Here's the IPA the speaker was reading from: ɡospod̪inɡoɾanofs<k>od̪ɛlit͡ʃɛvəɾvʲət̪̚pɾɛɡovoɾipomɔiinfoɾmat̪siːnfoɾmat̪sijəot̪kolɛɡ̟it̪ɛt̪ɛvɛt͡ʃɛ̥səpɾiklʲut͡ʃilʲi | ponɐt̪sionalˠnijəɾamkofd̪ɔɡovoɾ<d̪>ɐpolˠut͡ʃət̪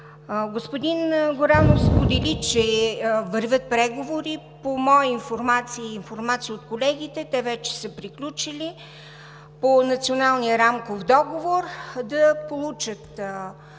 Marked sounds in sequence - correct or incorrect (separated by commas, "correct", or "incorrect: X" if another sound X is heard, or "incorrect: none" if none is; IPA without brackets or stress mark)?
incorrect: p, correct